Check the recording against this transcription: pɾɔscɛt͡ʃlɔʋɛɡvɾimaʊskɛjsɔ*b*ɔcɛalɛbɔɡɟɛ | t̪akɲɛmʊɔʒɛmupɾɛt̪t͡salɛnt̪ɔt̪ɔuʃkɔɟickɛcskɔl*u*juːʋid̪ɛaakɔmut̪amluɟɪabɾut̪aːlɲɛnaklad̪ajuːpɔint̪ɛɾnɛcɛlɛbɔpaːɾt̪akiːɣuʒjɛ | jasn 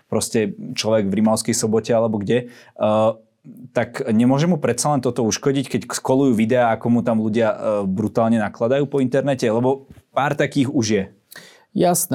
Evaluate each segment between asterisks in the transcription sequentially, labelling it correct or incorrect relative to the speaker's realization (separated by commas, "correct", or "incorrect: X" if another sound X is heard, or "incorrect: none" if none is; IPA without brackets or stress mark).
correct, correct